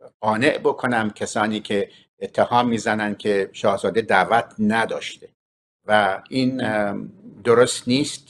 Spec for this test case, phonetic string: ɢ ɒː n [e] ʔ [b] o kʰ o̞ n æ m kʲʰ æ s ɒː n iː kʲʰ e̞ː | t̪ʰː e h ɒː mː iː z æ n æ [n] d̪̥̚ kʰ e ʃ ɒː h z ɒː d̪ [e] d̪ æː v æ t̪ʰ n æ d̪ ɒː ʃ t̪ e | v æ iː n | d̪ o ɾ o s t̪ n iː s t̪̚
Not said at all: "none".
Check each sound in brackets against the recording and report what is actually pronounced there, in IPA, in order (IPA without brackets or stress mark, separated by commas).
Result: e, b, n, e